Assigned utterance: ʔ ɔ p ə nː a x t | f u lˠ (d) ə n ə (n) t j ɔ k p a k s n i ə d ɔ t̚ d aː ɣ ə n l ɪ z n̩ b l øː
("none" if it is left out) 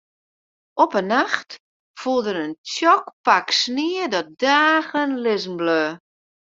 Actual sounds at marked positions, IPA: d, n

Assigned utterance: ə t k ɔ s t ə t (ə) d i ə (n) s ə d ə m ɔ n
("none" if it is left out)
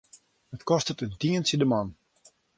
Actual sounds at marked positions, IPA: ə, n

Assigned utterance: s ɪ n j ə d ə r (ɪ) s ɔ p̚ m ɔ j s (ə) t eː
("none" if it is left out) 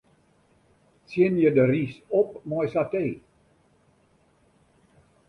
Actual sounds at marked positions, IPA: i, a

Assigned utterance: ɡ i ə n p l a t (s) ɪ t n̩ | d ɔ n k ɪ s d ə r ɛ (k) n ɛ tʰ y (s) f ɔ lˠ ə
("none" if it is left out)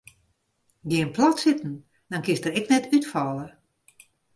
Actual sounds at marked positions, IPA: s, k, t

